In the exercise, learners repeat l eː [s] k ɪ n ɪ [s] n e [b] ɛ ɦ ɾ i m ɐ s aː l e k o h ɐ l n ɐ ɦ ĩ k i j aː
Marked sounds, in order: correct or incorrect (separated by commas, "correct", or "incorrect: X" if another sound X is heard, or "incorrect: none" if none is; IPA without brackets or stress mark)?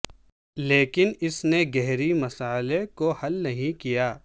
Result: incorrect: none, correct, incorrect: ɡ